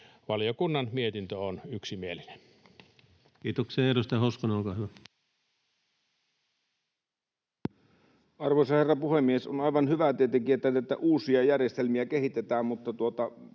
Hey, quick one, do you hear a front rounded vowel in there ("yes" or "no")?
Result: yes